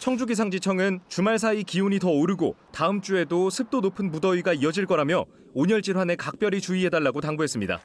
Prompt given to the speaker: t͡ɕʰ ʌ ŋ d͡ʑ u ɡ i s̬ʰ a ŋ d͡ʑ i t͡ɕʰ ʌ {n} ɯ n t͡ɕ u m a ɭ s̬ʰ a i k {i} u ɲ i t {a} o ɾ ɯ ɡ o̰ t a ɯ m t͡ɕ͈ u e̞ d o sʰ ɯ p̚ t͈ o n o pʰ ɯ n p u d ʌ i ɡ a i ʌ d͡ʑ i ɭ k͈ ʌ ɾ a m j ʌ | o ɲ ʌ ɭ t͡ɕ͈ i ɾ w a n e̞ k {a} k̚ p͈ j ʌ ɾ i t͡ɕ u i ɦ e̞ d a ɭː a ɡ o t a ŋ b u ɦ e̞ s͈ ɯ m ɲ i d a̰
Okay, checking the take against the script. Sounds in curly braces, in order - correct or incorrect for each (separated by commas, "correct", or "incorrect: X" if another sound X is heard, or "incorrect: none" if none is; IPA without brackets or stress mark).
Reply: incorrect: ŋ, correct, incorrect: ʌ, correct